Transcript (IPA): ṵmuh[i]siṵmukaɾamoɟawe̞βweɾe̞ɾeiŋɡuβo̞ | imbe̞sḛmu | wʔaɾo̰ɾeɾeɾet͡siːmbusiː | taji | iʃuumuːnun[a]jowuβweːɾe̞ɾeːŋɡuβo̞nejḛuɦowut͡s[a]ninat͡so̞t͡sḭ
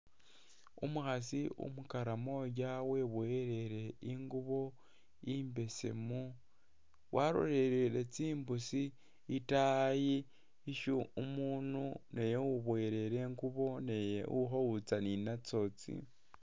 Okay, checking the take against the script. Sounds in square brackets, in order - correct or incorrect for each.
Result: incorrect, incorrect, correct

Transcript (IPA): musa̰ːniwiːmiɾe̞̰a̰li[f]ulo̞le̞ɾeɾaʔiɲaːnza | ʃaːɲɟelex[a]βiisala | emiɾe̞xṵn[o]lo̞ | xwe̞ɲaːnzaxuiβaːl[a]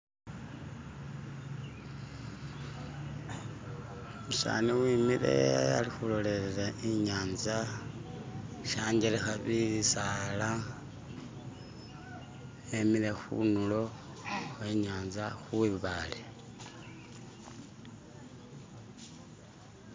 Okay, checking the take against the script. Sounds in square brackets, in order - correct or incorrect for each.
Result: incorrect, correct, incorrect, incorrect

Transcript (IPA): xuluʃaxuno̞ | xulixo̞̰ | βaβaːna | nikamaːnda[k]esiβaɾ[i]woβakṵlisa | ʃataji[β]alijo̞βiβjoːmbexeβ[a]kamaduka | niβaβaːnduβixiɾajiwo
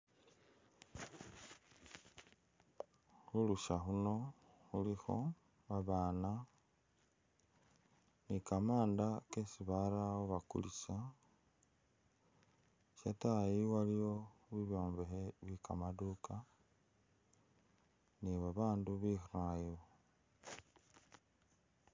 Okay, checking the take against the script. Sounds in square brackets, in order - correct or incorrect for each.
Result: correct, incorrect, incorrect, incorrect

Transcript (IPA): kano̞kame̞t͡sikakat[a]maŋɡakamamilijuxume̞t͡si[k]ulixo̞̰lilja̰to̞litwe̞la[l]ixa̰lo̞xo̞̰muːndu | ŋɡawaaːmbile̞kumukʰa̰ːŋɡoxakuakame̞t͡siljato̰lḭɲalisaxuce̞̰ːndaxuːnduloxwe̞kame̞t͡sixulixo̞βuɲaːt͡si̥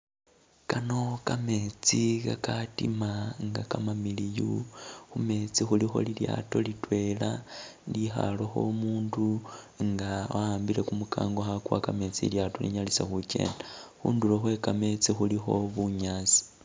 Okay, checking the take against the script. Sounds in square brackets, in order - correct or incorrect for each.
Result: incorrect, incorrect, correct

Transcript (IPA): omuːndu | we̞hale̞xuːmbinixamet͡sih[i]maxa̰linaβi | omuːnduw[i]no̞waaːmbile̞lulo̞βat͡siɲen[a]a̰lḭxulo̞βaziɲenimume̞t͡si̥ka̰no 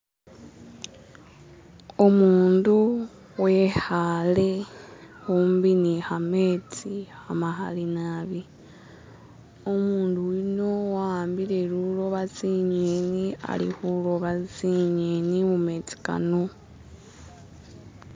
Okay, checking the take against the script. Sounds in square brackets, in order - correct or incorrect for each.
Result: incorrect, correct, incorrect

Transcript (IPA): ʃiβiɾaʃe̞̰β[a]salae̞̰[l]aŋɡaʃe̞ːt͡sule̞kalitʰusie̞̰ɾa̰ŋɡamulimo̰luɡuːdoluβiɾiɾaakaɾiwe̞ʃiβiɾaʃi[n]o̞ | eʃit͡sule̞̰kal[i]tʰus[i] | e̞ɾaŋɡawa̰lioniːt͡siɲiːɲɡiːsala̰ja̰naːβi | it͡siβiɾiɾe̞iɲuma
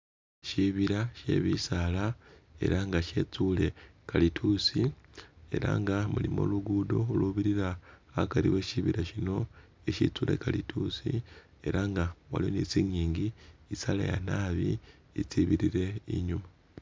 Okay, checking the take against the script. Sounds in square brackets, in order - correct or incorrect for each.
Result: incorrect, incorrect, correct, correct, correct

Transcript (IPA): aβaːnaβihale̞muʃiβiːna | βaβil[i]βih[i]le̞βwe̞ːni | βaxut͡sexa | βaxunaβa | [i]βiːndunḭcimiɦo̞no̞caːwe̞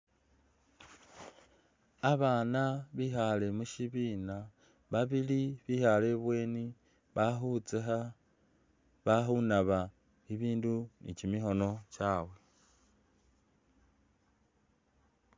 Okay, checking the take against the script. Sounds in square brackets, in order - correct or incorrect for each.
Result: correct, incorrect, correct

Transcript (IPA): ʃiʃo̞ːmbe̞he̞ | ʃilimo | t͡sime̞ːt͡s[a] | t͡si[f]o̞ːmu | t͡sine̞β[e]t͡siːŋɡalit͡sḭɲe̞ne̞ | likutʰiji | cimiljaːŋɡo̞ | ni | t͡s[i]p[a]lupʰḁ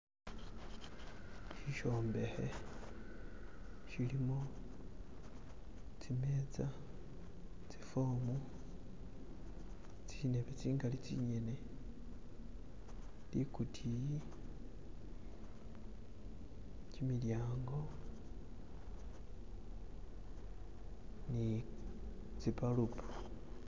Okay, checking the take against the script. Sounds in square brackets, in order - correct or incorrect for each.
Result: correct, correct, correct, correct, correct

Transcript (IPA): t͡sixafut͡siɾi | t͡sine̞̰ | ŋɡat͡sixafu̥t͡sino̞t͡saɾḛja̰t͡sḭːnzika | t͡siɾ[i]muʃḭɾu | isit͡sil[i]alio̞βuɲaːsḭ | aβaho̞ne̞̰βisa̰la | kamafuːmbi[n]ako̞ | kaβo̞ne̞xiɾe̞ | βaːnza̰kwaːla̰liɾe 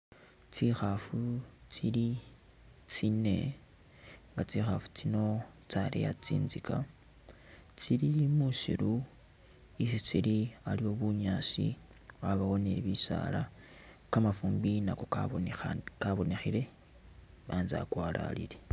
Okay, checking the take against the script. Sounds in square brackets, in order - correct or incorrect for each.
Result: correct, correct, correct

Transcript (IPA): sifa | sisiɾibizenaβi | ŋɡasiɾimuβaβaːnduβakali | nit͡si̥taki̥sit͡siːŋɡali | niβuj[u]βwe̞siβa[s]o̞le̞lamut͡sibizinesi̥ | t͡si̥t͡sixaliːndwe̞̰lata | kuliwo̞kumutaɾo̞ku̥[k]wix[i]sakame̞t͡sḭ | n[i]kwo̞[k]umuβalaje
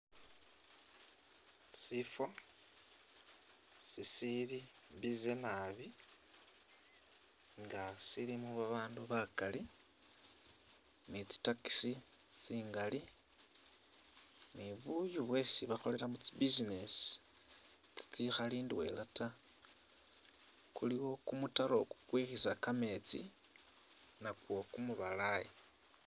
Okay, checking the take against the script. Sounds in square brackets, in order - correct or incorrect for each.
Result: correct, incorrect, correct, correct, incorrect, correct

